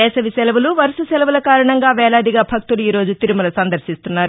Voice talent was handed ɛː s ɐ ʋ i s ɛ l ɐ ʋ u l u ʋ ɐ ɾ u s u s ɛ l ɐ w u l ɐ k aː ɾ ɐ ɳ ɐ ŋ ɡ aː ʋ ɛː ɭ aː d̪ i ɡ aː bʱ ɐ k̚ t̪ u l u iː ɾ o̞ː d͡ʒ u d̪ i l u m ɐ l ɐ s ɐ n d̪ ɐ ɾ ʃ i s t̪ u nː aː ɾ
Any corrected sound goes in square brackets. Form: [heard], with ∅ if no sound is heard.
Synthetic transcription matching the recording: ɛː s ɐ ʋ i s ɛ l ɐ ʋ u l u ʋ ɐ ɾ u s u s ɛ l ɐ [ʋ] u l ɐ k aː ɾ ɐ ɳ ɐ ŋ ɡ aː ʋ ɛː ɭ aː d̪ i ɡ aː bʱ ɐ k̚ t̪ u l u iː ɾ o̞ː d͡ʒ u [t̪] i [ɾ] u m ɐ l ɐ s ɐ n d̪ ɐ ɾ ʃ i s t̪ u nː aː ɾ

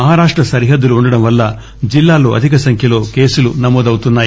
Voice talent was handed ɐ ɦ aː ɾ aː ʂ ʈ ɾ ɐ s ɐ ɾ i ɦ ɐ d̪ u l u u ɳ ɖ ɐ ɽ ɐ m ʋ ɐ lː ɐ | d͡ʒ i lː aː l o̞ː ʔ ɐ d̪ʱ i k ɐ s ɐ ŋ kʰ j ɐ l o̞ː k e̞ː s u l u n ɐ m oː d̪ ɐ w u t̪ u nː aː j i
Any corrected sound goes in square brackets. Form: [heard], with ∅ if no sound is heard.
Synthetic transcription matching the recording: ɐ ɦ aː ɾ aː ʂ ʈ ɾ ɐ s ɐ ɾ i ɦ ɐ [d̪ː] u l u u ɳ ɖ ɐ ɽ ɐ m ʋ ɐ lː ɐ | d͡ʒ i lː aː l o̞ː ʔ ɐ d̪ʱ i k ɐ s ɐ ŋ kʰ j ɐ l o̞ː k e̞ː s u l u n ɐ m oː d̪ ɐ w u t̪ u nː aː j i

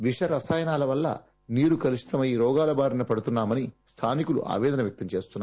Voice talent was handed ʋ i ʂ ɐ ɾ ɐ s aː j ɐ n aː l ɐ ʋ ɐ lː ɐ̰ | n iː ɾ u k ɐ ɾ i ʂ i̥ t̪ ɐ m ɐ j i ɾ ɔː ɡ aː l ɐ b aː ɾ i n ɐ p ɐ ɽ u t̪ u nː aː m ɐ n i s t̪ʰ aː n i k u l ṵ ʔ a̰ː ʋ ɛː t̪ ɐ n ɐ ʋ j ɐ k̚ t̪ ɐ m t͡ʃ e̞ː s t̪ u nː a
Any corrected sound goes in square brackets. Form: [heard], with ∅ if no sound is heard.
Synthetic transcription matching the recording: ʋ i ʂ ɐ ɾ ɐ s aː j ɐ n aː l ɐ ʋ ɐ lː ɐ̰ | n iː ɾ u k ɐ ɾ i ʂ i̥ t̪ ɐ m ɐ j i ɾ ɔː ɡ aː l ɐ b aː ɾ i n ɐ p ɐ ɽ u t̪ u nː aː m ɐ n i s t̪ʰ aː n i k u l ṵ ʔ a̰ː ʋ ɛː [d̪] ɐ n ɐ ʋ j ɐ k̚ t̪ ɐ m t͡ʃ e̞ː s t̪ u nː a

